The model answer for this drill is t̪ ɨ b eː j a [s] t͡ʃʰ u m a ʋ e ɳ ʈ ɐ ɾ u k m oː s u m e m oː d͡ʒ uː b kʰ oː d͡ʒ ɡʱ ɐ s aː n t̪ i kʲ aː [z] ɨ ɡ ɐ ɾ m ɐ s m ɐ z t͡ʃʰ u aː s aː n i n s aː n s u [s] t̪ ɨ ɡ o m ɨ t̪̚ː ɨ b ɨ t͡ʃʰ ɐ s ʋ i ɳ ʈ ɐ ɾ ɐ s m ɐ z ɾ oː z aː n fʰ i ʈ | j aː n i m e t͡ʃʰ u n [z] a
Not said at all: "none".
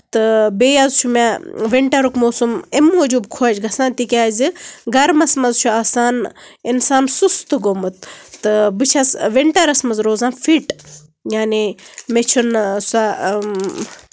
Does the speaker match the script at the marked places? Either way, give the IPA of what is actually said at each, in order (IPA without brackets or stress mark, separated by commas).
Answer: z, z, s, s